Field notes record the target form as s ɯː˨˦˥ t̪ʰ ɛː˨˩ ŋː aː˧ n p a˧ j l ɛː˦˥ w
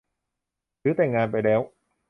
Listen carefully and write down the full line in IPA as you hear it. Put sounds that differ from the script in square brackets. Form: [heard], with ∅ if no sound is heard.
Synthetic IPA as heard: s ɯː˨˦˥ [t̪] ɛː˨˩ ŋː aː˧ n p a˧ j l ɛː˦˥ w